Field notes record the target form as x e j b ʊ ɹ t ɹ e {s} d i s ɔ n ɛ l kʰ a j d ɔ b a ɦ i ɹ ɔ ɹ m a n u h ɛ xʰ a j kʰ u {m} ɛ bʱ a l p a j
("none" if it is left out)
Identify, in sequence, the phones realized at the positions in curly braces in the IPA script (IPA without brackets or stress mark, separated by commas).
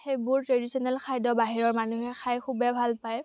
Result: none, b